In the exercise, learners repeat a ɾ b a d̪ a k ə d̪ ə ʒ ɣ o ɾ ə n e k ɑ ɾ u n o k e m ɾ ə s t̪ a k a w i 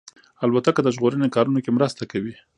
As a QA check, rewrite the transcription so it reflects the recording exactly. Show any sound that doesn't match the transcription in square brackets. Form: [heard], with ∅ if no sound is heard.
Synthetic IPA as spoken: a [l] b a [t̪] a k ə d̪ ə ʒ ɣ o ɾ ə n e k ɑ ɾ u n o k e m ɾ ə s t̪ a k a w i